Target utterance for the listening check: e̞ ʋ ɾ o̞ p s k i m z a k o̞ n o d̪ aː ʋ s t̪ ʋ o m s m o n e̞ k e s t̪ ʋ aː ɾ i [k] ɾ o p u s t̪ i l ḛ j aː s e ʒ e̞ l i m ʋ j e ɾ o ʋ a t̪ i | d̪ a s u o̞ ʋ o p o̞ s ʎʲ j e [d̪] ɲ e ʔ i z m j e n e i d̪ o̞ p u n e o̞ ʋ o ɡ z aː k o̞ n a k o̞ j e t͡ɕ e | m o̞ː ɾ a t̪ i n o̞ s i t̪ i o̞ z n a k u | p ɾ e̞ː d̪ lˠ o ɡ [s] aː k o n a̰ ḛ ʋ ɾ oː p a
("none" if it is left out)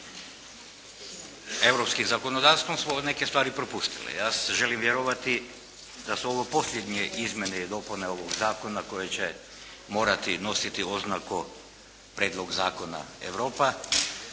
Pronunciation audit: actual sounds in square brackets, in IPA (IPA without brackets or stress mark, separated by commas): p, d̪, z